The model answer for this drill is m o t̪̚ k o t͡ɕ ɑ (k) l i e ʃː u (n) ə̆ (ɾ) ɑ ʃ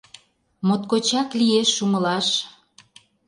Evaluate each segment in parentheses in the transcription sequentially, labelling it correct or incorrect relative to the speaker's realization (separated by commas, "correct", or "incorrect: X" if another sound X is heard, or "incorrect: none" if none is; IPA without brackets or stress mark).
correct, incorrect: m, incorrect: l